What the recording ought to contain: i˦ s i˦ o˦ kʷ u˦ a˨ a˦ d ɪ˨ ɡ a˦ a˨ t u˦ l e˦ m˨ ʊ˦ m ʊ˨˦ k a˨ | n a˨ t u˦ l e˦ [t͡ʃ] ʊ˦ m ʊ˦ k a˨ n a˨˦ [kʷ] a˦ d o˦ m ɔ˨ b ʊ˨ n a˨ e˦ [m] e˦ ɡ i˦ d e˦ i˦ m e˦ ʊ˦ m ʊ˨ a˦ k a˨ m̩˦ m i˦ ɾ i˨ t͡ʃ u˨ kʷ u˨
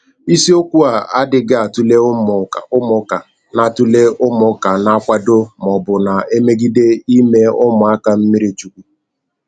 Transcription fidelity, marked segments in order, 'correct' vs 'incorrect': incorrect: none, correct, correct

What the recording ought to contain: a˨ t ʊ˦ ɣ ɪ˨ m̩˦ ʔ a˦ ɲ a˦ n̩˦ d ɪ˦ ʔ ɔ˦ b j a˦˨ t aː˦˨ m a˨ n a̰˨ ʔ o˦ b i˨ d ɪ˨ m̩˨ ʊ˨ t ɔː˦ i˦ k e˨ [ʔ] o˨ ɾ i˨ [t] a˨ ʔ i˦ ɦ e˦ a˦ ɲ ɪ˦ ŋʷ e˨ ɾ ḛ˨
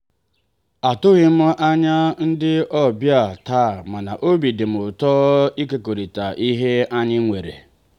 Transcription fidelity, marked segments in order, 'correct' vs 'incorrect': incorrect: k, correct

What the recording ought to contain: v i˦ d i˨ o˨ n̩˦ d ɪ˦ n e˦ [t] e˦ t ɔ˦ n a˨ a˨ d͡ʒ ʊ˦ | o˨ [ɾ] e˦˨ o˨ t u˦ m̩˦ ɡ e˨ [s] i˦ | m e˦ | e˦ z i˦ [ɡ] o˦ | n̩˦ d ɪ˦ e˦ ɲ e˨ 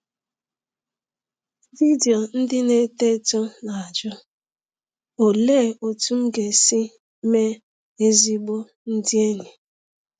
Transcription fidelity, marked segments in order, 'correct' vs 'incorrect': correct, incorrect: l, correct, incorrect: ɡ͡b

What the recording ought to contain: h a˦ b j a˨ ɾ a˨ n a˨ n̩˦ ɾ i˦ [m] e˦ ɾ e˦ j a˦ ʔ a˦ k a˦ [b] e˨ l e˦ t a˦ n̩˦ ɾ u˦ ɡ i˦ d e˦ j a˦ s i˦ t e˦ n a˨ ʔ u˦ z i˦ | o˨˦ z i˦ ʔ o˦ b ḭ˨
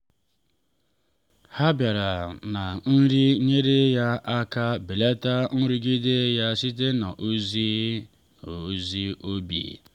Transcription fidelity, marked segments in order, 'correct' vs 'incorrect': incorrect: ɲ, correct

